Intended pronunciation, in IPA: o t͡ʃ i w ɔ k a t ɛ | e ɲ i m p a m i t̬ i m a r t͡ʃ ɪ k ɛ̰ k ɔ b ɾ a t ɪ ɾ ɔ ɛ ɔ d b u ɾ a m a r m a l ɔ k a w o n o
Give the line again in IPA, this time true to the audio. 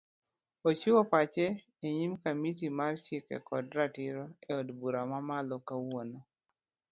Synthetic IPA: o t͡ʃ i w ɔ p a t͡ʃ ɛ | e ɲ i m k a m i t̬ i m a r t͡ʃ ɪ k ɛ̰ k ɔ d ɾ a t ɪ ɾ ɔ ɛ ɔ d b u ɾ a m a m a l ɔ k a w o n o